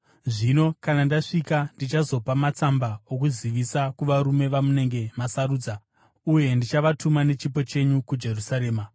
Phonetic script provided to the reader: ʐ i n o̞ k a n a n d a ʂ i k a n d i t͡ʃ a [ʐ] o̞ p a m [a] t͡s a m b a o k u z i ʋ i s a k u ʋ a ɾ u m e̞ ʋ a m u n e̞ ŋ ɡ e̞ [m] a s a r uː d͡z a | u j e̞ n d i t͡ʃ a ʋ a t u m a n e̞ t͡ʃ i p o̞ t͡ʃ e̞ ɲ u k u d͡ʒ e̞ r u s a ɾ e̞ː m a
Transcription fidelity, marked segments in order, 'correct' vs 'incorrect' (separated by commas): incorrect, correct, correct